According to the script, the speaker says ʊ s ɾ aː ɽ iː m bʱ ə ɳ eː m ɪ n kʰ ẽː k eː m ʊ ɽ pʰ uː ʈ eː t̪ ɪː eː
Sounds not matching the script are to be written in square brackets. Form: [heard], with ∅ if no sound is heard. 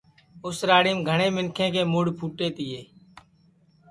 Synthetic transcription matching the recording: ʊ s ɾ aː ɽ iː m [ɡʱ] ə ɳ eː m ɪ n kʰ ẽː k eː m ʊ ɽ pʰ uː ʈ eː t̪ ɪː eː